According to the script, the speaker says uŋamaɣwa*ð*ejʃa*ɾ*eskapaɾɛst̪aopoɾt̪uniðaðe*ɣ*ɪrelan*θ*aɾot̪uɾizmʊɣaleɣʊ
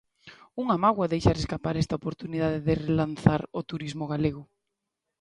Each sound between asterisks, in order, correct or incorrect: correct, correct, incorrect: ð, correct

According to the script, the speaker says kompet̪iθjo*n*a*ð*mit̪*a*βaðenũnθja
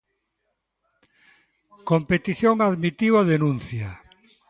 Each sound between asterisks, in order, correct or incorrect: incorrect: ŋ, correct, incorrect: i

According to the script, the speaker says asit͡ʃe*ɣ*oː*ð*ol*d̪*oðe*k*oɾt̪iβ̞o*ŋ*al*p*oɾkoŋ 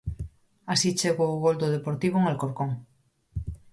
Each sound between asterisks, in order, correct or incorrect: correct, incorrect: ɣ, correct, incorrect: p, correct, incorrect: k

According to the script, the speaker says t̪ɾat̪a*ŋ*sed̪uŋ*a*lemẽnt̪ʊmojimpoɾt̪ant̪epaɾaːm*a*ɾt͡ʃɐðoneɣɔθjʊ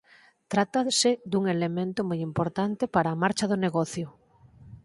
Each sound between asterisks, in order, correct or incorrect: incorrect: none, incorrect: e, correct

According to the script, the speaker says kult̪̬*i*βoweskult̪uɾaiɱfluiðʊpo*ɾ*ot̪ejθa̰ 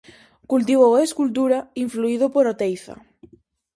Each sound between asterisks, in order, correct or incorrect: correct, correct

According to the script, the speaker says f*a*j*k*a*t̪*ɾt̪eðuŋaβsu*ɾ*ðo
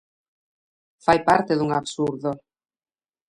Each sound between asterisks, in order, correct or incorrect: correct, incorrect: p, incorrect: none, correct

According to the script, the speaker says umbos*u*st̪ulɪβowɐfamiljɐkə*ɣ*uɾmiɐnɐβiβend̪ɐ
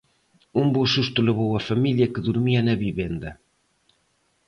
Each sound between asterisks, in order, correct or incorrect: correct, incorrect: ð

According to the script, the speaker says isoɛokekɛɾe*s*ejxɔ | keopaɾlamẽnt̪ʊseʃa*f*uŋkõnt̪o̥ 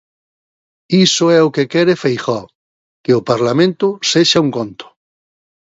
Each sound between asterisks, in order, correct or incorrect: incorrect: f, incorrect: none

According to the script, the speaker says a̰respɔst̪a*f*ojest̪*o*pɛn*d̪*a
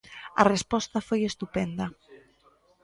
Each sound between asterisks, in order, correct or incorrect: correct, incorrect: u, correct

